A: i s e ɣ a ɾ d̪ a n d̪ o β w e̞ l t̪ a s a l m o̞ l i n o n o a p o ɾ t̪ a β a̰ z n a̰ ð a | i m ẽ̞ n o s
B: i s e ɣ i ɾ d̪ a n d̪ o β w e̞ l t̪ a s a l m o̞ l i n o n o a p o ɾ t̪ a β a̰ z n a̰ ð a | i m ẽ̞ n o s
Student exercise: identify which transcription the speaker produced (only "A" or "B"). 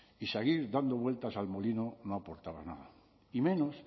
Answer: B